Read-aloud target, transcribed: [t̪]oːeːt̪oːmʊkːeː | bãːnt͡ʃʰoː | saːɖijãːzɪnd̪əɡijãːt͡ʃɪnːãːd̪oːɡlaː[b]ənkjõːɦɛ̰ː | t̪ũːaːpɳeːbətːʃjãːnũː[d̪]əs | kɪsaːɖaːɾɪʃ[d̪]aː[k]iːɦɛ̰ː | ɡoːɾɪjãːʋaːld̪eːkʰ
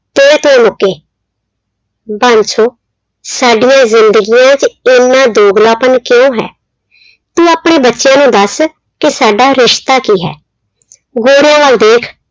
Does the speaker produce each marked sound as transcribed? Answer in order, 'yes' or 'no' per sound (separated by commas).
yes, no, yes, no, yes